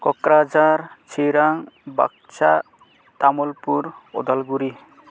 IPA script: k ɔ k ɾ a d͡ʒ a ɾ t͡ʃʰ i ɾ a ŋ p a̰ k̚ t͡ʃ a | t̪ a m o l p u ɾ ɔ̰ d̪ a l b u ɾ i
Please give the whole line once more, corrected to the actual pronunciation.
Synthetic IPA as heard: k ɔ k ɾ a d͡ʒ a ɾ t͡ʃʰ i ɾ a ŋ b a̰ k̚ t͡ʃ a | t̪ a m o l p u ɾ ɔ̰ d̪ a l ɡ u ɾ i